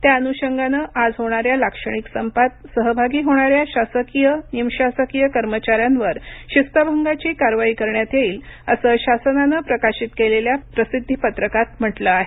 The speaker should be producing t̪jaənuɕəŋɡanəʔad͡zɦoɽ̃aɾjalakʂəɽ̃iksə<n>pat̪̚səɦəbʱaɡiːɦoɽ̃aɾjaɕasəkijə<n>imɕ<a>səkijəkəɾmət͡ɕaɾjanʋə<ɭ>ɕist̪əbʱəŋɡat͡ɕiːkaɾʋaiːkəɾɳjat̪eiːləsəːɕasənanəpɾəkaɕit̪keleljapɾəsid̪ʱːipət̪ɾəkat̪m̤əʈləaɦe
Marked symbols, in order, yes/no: no, yes, yes, no

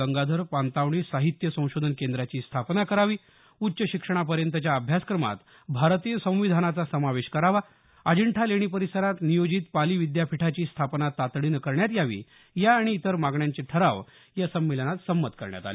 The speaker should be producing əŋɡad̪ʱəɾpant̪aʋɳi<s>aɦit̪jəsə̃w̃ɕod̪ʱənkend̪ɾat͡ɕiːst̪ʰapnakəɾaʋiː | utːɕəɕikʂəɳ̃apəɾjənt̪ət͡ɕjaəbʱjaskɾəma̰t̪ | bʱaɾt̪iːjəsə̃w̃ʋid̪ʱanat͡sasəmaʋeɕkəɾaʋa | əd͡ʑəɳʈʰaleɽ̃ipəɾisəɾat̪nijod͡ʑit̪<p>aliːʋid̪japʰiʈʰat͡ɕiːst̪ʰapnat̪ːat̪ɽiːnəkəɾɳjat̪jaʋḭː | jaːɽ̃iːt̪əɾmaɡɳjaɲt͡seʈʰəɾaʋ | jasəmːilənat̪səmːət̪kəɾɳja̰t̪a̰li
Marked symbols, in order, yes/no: yes, yes

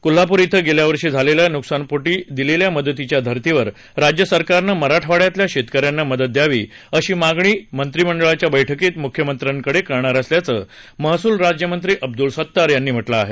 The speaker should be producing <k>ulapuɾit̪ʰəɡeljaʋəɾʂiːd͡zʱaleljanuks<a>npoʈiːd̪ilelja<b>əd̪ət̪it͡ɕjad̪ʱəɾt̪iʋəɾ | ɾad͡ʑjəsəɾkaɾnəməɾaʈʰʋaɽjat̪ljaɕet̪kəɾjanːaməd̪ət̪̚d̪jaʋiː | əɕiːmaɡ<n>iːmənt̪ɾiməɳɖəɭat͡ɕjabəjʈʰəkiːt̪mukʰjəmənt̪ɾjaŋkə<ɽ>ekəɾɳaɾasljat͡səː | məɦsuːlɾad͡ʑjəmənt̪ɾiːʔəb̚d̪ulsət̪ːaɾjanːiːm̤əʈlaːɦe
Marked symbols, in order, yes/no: yes, yes, no, no, yes

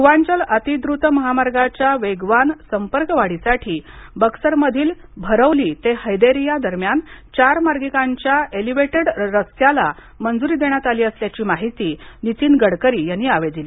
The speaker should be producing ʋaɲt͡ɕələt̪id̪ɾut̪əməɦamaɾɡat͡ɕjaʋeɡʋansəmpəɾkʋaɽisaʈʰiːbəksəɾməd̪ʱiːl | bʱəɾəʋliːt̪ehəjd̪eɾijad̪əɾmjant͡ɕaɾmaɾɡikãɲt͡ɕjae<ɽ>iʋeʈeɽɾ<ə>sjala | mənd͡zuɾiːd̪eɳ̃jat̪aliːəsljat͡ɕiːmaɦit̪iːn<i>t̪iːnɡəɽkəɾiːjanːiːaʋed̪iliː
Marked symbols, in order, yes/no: no, yes, yes

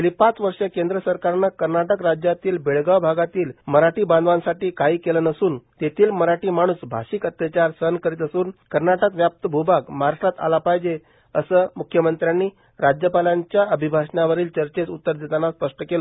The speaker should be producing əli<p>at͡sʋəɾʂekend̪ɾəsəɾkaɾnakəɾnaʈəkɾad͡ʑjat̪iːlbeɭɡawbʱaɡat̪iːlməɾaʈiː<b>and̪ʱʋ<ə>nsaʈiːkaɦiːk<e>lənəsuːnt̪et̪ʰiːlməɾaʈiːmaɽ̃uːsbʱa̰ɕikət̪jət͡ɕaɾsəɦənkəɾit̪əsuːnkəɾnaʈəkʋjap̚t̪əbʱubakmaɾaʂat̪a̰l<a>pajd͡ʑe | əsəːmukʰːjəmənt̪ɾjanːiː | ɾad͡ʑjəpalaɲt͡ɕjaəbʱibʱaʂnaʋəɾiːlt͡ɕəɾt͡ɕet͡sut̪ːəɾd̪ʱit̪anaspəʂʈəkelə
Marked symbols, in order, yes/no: yes, yes, no, yes, yes

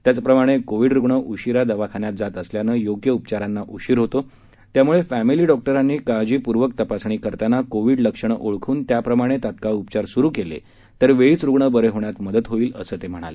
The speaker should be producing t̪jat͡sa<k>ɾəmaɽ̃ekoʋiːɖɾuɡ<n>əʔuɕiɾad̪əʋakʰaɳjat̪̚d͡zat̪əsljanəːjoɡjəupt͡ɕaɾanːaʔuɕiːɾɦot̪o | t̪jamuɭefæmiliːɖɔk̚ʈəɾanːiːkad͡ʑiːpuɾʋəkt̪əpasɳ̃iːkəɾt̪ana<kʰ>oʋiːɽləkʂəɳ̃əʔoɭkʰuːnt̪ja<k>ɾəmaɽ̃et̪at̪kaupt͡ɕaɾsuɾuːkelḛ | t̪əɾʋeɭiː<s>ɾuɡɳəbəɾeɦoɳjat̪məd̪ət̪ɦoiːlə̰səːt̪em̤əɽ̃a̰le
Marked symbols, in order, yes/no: no, no, no, no, no

